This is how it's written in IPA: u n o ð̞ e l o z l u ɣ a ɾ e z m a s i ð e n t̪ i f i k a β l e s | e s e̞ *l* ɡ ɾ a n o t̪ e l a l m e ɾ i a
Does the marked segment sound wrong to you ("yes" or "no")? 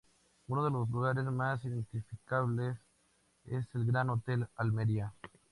no